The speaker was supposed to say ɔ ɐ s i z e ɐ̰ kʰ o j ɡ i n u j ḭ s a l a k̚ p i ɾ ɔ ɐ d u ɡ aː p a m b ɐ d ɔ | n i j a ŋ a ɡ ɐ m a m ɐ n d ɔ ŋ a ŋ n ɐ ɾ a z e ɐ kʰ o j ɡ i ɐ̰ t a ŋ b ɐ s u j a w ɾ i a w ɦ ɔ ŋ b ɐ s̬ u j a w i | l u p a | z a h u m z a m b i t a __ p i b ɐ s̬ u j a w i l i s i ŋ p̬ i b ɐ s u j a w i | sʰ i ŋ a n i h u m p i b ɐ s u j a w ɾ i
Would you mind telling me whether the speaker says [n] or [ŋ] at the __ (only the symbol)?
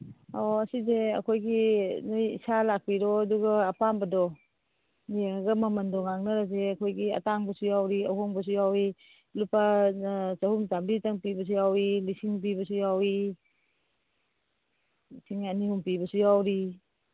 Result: ŋ